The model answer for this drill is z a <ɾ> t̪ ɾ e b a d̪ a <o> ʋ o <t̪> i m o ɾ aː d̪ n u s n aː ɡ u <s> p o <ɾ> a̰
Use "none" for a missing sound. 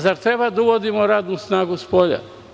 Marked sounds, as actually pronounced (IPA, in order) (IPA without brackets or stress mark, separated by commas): ɾ, u, d̪, s, ʎ